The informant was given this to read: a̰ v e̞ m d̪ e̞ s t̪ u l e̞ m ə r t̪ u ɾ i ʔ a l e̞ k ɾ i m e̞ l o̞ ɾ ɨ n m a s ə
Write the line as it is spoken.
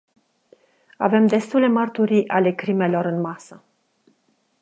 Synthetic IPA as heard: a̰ v e̞ m d̪ e̞ s t̪ u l e̞ m ə r t̪ u ɾ i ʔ a l e̞ k ɾ i m e̞ l o̞ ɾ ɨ n m a s ə